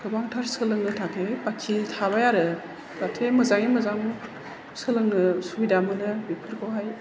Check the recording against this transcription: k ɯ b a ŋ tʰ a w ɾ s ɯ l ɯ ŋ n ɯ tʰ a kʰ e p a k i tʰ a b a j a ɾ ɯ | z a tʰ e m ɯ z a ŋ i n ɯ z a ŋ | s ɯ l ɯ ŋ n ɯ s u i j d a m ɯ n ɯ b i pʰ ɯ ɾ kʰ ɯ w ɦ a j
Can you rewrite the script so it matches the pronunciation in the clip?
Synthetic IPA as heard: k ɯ b a ŋ tʰ a ɾ s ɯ l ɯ ŋ n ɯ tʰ a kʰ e p a kʰ i tʰ a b a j a ɾ ɯ | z a tʰ e m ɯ z a ŋ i m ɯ z a ŋ | s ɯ l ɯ ŋ n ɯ s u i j d a m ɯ n ɯ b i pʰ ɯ ɾ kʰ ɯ w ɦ a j